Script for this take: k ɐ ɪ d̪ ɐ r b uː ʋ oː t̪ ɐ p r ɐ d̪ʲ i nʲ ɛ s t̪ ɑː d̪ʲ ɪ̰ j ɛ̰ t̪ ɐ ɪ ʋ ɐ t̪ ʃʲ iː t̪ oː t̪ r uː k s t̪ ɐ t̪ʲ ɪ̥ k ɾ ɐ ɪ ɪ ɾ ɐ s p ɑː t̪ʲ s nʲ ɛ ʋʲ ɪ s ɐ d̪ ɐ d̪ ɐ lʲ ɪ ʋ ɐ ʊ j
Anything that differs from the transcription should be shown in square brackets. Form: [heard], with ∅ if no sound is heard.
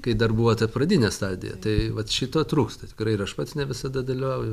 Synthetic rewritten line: k ɐ ɪ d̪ ɐ r b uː ʋ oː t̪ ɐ p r ɐ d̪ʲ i nʲ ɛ s t̪ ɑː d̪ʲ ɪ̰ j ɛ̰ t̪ ɐ ɪ ʋ ɐ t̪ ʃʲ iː t̪ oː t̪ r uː k s t̪ ɐ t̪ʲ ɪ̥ k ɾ ɐ ɪ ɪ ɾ ɐ [ʃ] p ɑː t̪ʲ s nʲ ɛ ʋʲ ɪ s ɐ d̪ ɐ d̪ ɐ lʲ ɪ ʋ ɐ ʊ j